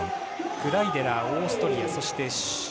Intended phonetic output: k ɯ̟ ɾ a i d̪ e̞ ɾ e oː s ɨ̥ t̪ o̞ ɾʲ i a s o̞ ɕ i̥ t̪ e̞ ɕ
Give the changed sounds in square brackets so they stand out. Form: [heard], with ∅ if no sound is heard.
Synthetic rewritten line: k ɯ̟ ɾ a i d̪ e̞ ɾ [a] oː s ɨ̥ t̪ o̞ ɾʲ i a s o̞ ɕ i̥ t̪ e̞ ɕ

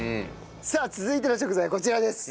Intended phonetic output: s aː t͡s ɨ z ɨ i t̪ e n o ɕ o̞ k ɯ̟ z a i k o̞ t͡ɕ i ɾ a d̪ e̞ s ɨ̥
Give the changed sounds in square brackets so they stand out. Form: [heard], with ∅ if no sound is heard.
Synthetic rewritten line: s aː t͡s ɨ z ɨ i t̪ e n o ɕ o̞ k ɯ̟ z a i k o̞ t͡ɕ i ɾ a d̪ e̞ s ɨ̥

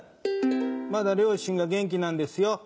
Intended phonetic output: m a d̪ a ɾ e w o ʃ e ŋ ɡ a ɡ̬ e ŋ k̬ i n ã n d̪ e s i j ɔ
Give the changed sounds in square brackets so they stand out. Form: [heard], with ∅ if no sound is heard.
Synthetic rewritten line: m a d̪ a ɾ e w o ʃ [i] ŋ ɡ a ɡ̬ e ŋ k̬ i n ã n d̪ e s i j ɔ

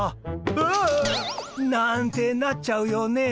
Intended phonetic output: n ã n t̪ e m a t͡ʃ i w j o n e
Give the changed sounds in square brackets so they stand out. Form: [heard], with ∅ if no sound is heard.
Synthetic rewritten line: n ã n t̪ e [n] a t͡ʃ [a] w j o n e

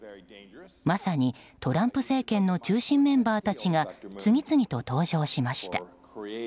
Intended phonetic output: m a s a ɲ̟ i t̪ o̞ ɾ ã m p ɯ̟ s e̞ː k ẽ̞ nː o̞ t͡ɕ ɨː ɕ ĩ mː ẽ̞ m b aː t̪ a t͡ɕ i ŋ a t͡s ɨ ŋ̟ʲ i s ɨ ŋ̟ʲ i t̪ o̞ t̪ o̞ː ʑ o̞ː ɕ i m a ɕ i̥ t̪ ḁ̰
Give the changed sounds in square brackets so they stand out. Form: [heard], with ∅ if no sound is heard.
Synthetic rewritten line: m a s a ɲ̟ i t̪ o̞ ɾ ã m p ɯ̟ s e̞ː k ẽ̞ nː o̞ t͡ɕ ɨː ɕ ĩ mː ẽ̞ m b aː t̪ a t͡ɕ i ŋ a t͡s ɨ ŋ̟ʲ i [t͡s] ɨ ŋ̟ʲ i t̪ o̞ t̪ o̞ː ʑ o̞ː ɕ i m a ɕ i̥ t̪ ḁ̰

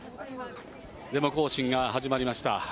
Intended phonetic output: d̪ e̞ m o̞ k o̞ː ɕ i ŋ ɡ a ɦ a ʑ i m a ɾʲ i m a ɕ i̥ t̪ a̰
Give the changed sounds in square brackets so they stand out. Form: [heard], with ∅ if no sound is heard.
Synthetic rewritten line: d̪ e̞ m o̞ k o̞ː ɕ [ĩ] ŋ ɡ a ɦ a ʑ i m a ɾʲ i m a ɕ i̥ t̪ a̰

